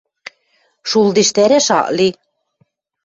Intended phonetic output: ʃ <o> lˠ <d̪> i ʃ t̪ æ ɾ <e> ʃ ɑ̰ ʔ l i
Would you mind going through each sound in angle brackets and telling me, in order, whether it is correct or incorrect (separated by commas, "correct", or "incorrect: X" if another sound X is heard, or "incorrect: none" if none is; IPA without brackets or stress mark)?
incorrect: u, correct, incorrect: æ